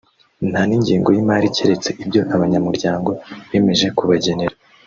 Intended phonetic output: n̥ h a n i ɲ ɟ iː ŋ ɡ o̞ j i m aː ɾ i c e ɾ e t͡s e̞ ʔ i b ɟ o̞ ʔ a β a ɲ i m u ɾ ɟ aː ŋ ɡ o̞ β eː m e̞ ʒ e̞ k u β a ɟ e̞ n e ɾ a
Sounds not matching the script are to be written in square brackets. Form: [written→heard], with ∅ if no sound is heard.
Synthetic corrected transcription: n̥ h a n i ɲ ɟ iː ŋ ɡ o̞ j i m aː ɾ i c e ɾ e t͡s e̞ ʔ i b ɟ o̞ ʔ a β a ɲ [i→a] m u ɾ ɟ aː ŋ ɡ o̞ β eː m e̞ ʒ e̞ k u β a ɟ e̞ n e ɾ a